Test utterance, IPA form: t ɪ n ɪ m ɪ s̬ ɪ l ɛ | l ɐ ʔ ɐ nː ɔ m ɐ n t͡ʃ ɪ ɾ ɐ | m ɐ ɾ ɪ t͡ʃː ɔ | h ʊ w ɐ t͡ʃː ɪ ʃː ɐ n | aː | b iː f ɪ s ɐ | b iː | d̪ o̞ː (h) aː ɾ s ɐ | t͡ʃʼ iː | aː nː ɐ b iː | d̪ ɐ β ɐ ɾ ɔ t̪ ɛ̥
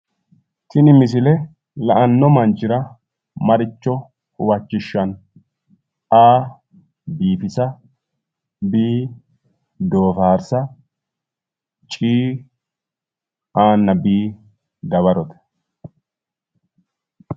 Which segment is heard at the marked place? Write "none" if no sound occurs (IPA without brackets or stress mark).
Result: f